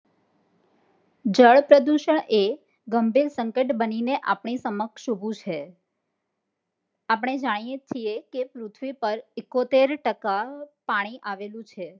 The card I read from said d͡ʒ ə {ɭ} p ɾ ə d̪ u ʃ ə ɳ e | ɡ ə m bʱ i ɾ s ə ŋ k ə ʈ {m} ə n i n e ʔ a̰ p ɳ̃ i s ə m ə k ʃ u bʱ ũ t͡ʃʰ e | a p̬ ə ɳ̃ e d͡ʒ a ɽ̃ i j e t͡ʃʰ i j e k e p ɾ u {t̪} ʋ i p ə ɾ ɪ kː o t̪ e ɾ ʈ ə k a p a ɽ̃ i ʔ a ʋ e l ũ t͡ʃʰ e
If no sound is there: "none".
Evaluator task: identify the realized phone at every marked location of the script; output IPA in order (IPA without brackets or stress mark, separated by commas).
ɭ, b, t̪ʰ